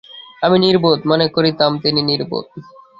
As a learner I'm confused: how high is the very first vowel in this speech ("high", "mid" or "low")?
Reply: low